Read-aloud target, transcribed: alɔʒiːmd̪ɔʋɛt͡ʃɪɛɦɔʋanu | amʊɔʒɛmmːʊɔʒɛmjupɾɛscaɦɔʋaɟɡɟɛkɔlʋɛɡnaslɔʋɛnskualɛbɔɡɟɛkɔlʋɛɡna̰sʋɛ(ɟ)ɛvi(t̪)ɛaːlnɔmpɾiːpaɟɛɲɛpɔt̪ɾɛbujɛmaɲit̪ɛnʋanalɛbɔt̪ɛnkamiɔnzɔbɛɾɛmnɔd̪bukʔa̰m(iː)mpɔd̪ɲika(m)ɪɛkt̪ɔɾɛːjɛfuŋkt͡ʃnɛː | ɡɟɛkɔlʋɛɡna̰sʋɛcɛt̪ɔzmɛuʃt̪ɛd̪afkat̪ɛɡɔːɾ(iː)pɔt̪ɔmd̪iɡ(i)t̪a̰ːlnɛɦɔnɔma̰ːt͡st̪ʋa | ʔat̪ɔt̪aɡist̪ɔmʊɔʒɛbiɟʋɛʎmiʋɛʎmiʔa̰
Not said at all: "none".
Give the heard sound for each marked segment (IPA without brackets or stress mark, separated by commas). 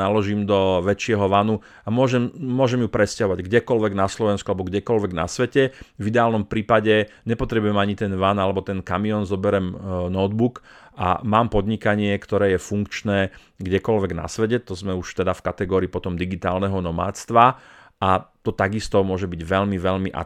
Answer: c, d̪, aː, ɲ, iː, i